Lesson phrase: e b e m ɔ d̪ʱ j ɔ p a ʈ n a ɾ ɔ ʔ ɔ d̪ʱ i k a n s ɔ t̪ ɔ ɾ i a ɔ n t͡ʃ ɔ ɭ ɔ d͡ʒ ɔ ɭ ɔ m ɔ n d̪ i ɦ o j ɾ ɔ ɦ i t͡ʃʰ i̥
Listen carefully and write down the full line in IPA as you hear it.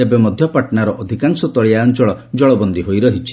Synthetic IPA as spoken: e b e m ɔ d̪ʱ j ɔ p a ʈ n a ɾ ɔ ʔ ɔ d̪ʱ i k a ŋ s ɔ t̪ ɔ ɭ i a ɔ n t͡ʃ ɔ ɭ ɔ d͡ʒ ɔ ɭ ɔ b ɔ n d̪ i ɦ o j ɾ ɔ ɦ i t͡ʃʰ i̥